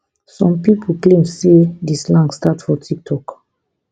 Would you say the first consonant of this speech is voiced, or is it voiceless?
voiceless